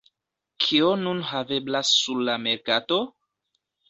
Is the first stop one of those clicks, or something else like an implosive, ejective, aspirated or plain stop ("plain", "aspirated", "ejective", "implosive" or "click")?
aspirated